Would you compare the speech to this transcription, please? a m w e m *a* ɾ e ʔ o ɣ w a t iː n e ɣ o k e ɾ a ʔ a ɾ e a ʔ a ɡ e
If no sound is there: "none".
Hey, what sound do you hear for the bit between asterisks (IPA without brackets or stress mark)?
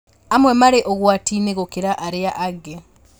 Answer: a